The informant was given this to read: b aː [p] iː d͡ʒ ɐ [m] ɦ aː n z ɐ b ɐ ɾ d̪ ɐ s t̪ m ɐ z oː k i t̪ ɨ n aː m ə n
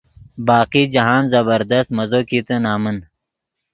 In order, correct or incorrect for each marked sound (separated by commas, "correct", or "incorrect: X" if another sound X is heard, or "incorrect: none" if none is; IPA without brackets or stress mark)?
incorrect: q, incorrect: none